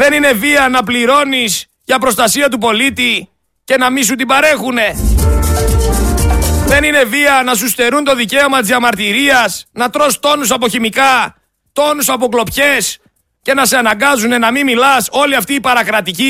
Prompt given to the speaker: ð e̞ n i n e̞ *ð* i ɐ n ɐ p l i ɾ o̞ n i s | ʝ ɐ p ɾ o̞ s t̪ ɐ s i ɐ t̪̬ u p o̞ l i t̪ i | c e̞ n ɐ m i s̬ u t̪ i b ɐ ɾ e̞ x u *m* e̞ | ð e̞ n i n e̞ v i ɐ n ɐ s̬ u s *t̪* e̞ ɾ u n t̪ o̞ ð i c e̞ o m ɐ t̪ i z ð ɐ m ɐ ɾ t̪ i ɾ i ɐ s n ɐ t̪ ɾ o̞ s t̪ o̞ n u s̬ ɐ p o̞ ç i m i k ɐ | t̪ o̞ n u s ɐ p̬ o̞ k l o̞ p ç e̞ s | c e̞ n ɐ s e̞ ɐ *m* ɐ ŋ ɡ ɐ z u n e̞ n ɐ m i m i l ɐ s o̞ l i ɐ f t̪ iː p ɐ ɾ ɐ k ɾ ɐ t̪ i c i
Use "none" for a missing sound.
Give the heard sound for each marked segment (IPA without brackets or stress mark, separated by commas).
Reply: v, n, t̪, n